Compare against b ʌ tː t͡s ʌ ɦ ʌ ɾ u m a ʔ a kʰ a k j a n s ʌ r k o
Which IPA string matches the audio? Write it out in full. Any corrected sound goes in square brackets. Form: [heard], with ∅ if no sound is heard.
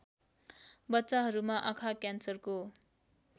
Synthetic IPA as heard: b ʌ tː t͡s [a] ɦ ʌ ɾ u m a ʔ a kʰ a k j a n s ʌ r k o